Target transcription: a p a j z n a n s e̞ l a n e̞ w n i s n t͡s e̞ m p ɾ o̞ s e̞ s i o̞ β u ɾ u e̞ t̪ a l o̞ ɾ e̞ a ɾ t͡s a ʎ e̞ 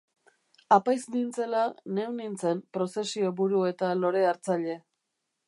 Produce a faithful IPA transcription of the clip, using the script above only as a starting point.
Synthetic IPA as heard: a p a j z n i n t͡s e̞ l a n e̞ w n i n t͡s e̞ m p ɾ o̞ s e̞ s i o̞ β u ɾ u e̞ t̪ a l o̞ ɾ e̞ a ɾ t͡s a ʎ e̞